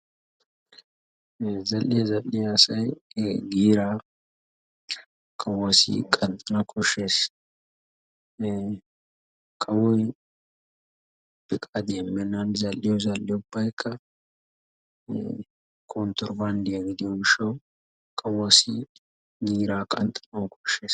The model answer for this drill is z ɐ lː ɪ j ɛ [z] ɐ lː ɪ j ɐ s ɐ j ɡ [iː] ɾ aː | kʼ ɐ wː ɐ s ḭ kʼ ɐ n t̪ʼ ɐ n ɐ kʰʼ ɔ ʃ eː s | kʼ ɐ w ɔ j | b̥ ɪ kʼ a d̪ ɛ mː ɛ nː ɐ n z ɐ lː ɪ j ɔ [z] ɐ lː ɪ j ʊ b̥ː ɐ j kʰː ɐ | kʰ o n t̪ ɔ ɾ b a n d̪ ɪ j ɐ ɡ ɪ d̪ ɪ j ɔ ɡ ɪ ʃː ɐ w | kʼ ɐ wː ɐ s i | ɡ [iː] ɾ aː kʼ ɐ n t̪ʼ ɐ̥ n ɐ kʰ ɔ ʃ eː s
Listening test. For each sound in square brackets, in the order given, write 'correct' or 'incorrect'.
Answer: correct, correct, correct, correct

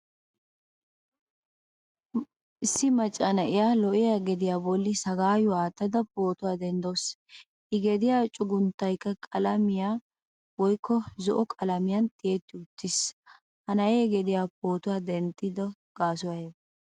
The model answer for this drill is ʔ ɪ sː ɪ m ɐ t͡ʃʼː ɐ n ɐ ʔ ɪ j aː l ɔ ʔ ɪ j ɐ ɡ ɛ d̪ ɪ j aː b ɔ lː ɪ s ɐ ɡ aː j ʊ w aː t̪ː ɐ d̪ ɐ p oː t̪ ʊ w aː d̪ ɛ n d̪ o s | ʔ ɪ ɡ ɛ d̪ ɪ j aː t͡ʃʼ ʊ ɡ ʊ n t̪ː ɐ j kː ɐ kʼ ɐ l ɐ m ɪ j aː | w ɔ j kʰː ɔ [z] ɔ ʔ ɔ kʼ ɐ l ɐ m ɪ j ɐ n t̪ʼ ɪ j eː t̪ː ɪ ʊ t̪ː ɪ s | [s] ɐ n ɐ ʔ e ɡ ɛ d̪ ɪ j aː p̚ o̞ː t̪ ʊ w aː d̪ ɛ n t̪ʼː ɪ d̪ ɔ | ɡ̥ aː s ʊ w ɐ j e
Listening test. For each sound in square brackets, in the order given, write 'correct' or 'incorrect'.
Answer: correct, incorrect: h

